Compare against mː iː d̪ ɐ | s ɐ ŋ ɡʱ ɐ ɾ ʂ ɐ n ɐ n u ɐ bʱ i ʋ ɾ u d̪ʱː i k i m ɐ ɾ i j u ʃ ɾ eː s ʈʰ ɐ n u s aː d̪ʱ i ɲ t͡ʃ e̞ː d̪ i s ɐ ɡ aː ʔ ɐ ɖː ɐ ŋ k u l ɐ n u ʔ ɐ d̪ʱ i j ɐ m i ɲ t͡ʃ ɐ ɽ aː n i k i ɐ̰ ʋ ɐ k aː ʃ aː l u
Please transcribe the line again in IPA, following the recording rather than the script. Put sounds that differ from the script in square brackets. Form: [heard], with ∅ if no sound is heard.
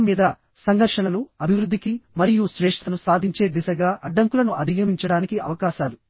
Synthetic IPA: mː iː d̪ ɐ | s ɐ ŋ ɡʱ ɐ ɾ ʂ ɐ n ɐ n u ɐ bʱ i ʋ ɾ u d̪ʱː i k i m ɐ ɾ i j u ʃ ɾ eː [ʂ] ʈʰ ɐ n u s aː d̪ʱ i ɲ t͡ʃ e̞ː d̪ i s ɐ ɡ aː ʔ ɐ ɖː ɐ ŋ k u l ɐ n u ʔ ɐ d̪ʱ i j ɐ m i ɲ t͡ʃ ɐ ɽ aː n i k i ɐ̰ ʋ ɐ k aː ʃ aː l u